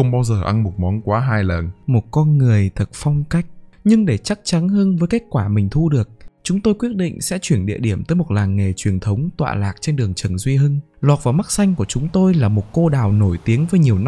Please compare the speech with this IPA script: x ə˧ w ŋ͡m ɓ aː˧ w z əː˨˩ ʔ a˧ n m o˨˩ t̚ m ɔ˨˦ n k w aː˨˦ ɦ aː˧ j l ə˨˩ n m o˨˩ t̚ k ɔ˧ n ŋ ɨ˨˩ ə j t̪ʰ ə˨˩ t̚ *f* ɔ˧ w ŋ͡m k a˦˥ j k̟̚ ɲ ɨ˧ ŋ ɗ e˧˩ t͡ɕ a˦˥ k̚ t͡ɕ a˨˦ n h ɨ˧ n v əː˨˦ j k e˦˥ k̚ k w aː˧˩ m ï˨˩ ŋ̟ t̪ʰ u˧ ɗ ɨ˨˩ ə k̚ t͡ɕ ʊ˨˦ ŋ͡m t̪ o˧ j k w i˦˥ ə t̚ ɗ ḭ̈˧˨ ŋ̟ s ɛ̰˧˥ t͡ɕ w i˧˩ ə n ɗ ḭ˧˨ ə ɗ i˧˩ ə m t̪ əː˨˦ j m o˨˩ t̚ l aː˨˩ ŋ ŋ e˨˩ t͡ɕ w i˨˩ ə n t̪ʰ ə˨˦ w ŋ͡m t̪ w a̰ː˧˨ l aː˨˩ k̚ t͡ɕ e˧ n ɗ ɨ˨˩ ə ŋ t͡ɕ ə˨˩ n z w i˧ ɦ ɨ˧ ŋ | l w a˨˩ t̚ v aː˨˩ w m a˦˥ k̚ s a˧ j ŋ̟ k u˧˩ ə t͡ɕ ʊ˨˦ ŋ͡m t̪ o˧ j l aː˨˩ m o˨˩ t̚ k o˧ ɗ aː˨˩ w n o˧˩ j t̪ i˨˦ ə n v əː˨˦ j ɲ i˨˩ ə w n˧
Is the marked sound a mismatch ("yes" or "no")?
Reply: no